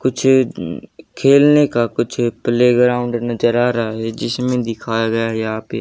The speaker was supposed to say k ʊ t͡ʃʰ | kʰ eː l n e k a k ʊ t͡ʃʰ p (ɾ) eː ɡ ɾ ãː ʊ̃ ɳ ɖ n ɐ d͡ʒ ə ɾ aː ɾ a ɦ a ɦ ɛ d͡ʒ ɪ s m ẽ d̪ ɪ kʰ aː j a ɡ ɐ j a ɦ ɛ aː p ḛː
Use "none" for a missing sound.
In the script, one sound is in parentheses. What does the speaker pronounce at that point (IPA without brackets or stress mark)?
l